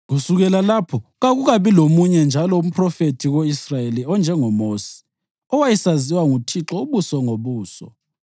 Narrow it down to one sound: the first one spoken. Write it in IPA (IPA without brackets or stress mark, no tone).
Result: ɣ